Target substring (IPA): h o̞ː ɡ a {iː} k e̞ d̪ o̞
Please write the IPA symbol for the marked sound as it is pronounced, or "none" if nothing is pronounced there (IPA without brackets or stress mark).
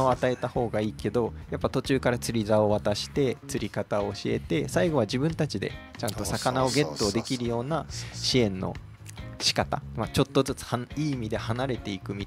iː